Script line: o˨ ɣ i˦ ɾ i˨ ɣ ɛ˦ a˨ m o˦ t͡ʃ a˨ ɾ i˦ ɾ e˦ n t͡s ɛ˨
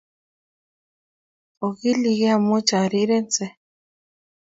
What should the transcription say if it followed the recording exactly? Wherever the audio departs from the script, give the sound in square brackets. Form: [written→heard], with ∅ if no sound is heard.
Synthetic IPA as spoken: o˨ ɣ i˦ [ɾ→l] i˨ ɣ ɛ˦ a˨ m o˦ t͡ʃ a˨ ɾ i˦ ɾ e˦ n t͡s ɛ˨